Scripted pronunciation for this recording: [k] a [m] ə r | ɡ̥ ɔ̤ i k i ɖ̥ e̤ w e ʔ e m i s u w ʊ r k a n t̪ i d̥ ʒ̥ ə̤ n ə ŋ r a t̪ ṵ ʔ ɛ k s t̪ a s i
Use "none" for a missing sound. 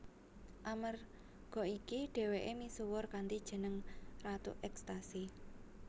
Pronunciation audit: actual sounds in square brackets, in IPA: ʔ, m

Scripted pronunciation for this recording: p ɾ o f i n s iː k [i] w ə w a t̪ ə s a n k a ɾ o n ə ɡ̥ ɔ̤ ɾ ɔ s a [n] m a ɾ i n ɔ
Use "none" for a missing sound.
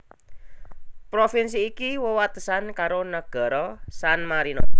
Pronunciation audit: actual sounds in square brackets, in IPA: i, n

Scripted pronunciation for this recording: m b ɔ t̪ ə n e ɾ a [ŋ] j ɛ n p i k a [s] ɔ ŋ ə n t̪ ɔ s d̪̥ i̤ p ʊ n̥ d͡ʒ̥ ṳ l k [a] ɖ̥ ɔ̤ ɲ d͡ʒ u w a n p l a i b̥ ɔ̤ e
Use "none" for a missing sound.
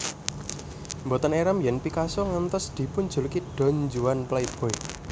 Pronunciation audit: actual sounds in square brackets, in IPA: m, s, i

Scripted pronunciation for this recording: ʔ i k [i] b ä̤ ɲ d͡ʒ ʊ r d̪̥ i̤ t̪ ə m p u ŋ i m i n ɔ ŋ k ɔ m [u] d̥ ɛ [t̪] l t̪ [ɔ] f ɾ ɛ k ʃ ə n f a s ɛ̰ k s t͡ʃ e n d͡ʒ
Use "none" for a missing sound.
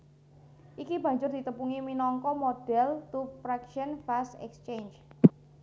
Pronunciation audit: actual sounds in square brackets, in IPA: i, o, none, u

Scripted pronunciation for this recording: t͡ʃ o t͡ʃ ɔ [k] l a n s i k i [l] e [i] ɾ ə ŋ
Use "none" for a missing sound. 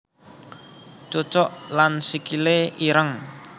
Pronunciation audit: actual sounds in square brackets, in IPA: ʔ, l, i

